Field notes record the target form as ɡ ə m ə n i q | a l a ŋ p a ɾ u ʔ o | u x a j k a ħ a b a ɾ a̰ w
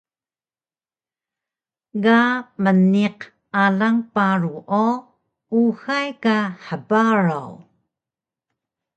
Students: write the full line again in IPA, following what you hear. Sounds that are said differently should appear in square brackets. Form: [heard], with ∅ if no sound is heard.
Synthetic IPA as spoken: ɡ [a] m ə n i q | a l a ŋ p a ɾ u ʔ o | u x a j k a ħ [ə] b a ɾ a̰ w